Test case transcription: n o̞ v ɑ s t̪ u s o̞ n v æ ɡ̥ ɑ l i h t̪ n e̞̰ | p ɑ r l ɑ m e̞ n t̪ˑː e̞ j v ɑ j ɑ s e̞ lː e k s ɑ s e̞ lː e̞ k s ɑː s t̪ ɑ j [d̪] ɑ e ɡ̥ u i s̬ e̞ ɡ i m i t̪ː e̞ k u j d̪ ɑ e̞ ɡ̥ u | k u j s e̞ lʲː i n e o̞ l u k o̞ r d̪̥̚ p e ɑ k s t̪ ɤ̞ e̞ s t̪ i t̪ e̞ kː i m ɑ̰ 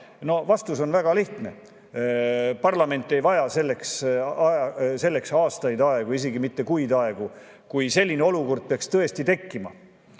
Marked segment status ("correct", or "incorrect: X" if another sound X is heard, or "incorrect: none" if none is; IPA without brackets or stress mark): correct